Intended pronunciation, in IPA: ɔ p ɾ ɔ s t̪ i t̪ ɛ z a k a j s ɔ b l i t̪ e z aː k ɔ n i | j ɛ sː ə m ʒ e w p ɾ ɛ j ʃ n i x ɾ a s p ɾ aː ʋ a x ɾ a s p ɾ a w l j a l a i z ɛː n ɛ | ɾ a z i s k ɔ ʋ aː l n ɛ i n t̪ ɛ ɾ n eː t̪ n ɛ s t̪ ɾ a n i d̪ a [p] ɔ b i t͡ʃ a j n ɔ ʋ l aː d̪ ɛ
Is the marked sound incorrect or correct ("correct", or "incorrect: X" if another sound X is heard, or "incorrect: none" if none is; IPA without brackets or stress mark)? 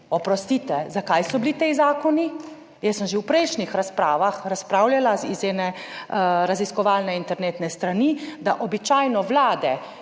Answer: incorrect: ʔ